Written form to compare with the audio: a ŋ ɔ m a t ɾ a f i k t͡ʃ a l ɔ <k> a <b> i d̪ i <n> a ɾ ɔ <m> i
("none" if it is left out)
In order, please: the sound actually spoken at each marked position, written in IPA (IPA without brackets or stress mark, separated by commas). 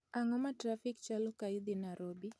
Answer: k, none, n, b